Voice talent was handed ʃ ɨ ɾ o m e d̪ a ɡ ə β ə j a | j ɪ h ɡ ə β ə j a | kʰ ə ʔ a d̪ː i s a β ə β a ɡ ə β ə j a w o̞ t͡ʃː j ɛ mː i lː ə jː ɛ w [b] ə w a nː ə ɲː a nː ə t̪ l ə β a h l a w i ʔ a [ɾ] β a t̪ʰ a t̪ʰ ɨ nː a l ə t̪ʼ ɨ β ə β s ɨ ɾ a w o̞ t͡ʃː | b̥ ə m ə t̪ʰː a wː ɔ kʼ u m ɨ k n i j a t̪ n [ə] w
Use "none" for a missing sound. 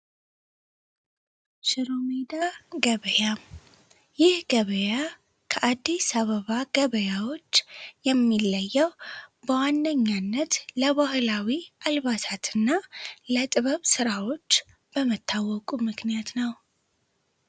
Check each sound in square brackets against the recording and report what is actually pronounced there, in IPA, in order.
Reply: b, l, ə

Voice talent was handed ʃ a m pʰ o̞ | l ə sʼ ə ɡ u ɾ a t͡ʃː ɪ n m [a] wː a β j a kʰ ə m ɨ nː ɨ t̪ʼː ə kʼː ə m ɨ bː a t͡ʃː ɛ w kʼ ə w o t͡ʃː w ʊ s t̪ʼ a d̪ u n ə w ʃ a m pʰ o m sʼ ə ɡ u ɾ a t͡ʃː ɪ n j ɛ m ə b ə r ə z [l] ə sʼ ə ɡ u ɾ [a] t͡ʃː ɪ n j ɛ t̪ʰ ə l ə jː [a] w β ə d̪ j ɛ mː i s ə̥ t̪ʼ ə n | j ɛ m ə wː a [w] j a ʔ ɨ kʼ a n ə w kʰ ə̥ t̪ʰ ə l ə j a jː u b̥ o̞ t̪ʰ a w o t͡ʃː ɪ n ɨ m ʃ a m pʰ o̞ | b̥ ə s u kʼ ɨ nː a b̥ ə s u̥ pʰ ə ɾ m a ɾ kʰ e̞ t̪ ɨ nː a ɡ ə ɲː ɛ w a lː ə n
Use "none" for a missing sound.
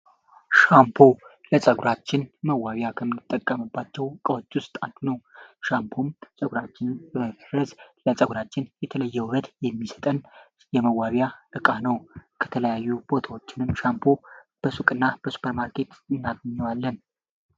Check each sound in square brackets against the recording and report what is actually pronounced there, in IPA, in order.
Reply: ə, l, a, ɛ, β

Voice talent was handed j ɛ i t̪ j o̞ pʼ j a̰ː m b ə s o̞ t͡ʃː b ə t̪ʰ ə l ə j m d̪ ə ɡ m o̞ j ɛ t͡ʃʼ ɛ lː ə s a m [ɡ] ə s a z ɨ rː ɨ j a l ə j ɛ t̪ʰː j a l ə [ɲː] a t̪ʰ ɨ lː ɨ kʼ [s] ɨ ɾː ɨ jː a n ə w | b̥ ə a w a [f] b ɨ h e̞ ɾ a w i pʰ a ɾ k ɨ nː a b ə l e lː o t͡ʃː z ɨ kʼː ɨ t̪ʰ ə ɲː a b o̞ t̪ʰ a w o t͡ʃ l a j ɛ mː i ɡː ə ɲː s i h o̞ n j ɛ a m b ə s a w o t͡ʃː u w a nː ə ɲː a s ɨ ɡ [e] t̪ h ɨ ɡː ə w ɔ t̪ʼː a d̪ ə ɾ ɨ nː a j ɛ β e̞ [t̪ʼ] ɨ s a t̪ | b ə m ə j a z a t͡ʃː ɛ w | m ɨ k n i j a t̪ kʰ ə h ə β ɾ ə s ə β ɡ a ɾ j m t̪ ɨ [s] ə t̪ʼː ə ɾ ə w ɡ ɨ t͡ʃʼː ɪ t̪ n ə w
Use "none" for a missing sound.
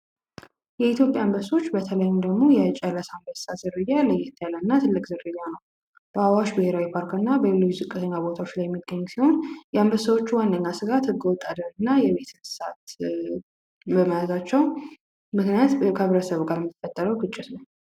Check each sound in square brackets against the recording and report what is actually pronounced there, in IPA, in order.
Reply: b, nː, z, ʃ, a, t̪, f

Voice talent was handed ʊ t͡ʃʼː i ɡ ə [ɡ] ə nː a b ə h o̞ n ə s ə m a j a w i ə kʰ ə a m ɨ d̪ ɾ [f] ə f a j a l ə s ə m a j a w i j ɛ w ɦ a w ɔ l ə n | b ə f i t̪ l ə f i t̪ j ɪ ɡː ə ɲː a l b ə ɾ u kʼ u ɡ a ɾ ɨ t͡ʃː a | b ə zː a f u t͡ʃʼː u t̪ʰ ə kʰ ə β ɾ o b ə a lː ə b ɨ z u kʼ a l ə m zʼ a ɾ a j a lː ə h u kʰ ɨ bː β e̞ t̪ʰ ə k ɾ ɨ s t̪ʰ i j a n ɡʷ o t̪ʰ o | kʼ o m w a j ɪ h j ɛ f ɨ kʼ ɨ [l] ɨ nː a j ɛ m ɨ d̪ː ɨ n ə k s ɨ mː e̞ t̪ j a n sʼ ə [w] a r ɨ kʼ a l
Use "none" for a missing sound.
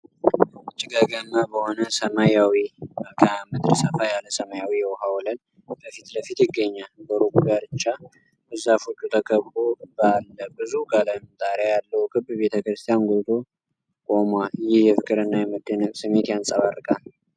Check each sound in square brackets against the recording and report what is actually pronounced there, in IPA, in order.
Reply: ɡ, s, ɾ, β

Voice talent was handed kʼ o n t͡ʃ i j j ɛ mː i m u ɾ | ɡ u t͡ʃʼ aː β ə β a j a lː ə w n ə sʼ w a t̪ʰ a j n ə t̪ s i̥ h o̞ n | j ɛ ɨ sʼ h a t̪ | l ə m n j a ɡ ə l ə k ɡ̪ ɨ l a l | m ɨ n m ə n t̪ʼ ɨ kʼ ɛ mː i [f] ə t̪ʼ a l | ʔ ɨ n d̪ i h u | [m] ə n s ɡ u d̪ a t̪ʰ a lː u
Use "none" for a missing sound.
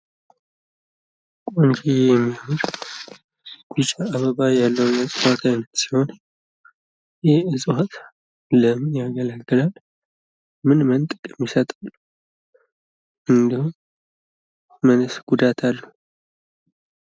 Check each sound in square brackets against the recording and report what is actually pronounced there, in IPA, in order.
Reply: s, m

